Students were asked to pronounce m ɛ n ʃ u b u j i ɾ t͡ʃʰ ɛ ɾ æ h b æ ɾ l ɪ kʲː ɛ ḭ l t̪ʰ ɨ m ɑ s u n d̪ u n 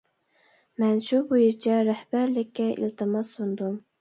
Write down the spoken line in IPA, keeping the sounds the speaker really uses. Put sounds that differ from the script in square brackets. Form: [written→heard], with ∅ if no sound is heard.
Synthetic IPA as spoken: m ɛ n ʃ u b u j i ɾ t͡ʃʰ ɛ ɾ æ h b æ ɾ l ɪ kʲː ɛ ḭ l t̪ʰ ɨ m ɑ s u n d̪ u [n→m]